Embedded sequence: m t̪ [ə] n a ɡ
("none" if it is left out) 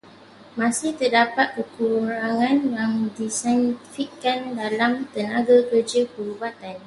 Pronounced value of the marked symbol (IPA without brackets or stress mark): ə